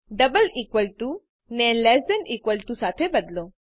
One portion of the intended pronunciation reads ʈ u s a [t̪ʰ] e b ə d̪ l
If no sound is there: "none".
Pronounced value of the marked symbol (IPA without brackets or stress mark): t̪ʰ